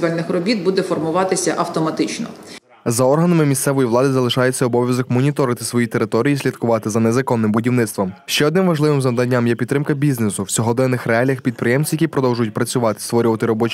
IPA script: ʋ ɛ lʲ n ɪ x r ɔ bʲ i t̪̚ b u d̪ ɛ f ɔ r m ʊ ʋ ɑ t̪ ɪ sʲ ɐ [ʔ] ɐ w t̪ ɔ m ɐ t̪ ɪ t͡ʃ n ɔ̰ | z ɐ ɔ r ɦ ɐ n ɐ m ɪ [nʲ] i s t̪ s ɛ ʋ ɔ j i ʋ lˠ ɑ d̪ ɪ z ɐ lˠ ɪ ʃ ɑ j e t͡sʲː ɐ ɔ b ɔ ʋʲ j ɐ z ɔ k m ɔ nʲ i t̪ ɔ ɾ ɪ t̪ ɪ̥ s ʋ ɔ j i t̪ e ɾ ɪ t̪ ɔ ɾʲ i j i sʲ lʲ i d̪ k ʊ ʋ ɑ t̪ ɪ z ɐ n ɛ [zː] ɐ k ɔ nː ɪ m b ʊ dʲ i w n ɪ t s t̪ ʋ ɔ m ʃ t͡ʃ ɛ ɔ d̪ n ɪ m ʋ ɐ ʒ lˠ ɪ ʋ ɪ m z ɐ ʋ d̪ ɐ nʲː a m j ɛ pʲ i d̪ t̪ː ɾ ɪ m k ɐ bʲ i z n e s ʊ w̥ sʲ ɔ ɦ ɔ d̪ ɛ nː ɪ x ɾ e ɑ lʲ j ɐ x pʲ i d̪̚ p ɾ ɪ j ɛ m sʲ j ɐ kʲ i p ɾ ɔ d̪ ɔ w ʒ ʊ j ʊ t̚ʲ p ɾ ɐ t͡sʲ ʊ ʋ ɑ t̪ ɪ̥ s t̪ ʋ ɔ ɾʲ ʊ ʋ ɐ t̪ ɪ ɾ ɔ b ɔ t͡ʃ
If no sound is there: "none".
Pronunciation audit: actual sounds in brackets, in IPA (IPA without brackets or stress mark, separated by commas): ʔ, mʲ, z